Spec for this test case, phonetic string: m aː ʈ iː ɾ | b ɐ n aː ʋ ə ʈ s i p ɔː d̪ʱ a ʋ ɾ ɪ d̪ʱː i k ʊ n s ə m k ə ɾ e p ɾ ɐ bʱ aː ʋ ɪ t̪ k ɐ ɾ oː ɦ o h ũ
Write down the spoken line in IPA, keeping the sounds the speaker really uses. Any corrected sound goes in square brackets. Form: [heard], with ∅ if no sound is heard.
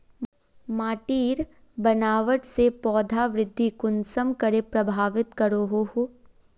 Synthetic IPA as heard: m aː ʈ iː ɾ | b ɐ n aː ʋ ə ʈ s [e] p ɔː d̪ʱ a ʋ ɾ ɪ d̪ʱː i k ʊ n s ə m k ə ɾ e p ɾ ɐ bʱ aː ʋ ɪ t̪ k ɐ ɾ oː ɦ o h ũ